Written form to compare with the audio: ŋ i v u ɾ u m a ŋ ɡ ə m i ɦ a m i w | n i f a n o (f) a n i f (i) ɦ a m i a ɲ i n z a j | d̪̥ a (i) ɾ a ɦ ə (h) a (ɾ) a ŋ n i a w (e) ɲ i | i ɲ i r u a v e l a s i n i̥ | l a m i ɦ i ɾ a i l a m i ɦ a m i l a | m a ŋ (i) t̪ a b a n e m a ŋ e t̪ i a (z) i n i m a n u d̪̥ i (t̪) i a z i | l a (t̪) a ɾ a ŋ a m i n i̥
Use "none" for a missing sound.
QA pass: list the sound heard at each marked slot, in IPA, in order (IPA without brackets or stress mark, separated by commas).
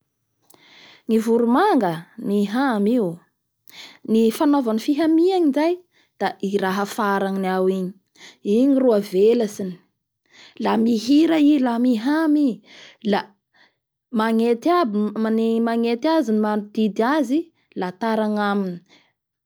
v, i, i, f, ɾ, i, e, z, d̪, t̪